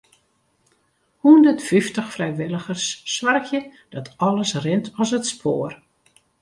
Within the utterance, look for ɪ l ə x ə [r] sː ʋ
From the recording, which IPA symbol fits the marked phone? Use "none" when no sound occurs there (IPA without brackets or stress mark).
r